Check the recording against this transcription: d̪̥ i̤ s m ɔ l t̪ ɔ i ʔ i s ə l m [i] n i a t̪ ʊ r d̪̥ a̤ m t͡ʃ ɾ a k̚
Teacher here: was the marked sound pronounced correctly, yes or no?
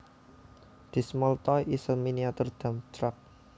yes